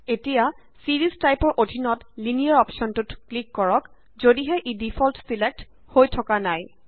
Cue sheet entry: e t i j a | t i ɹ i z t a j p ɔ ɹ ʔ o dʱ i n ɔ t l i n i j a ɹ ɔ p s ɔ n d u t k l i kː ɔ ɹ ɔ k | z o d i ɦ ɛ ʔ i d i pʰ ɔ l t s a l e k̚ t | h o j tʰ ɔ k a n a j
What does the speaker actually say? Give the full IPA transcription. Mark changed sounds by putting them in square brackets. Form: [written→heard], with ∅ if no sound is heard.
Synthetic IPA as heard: e t i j a | [t→s] i ɹ i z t a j p ɔ ɹ ʔ o dʱ i n ɔ t l i n i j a ɹ ɔ p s ɔ n [d→t] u t k l i kː ɔ ɹ ɔ k | z o d i ɦ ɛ ʔ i d i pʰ ɔ l t s [a→i] l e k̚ t | h o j tʰ ɔ k a n a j